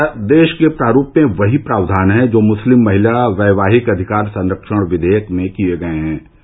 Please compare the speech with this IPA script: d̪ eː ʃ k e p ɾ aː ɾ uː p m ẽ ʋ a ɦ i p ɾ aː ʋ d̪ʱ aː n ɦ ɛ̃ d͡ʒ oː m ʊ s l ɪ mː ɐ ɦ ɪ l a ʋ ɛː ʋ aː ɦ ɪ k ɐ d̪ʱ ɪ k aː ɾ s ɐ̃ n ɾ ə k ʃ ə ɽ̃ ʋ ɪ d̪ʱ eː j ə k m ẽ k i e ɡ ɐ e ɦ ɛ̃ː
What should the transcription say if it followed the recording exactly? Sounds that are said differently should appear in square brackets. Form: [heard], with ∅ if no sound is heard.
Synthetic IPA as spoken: d̪ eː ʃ k e p ɾ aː ɾ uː p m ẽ ʋ [ɐ] ɦ i p ɾ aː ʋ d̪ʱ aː n ɦ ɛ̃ d͡ʒ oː m ʊ s l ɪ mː ɐ ɦ ɪ l a ʋ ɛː ʋ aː ɦ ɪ k ɐ d̪ʱ ɪ k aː ɾ s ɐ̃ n ɾ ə k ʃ ə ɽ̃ ʋ ɪ d̪ʱ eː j ə k m ẽ k i e ɡ ɐ e ɦ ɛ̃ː